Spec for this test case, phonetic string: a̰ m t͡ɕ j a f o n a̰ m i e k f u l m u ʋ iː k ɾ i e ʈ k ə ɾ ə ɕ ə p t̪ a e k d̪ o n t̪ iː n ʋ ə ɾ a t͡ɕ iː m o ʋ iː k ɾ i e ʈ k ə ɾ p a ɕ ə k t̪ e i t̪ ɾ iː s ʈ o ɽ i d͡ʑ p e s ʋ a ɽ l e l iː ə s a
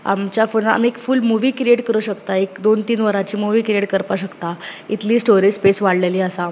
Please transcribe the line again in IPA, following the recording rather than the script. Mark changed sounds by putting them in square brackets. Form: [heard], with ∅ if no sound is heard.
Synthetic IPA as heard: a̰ m t͡ɕ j a f o n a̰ m i e k f u l m u ʋ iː k ɾ i e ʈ k ə ɾ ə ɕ ə [k] t̪ a e k d̪ o n t̪ iː n ʋ ə ɾ a t͡ɕ iː m [u] ʋ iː k ɾ i e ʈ k ə ɾ p a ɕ ə k t̪ [a] i t̪ [l] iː s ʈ o [ɾ] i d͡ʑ p e s ʋ a ɽ l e l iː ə s a